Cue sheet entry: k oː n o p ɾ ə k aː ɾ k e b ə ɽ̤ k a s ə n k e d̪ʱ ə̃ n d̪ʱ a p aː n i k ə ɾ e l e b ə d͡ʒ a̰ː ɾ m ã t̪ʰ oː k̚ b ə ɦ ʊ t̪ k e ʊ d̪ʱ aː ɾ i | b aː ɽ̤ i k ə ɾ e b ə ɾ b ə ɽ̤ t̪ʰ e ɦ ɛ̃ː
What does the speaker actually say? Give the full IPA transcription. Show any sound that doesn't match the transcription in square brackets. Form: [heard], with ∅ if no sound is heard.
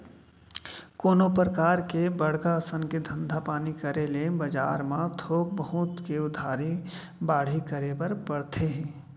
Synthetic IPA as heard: k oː n o p ɾ ə k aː ɾ k e b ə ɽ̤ k a s ə n k e d̪ʱ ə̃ n d̪ʱ a p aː n i k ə ɾ e l e b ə d͡ʒ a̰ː ɾ m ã t̪ʰ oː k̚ b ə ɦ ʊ t̪ k e ʊ d̪ʱ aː ɾ i | b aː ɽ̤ i k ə ɾ e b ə ɾ b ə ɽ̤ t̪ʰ e ɦ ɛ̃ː